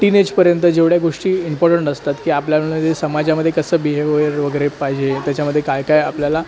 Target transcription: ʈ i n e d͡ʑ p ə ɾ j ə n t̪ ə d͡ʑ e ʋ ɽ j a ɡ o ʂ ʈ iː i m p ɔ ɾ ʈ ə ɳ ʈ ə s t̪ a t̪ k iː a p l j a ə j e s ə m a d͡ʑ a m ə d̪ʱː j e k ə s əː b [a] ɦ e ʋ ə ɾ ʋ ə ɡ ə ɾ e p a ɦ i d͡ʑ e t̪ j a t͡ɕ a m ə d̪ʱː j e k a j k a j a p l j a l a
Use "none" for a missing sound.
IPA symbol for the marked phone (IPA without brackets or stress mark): i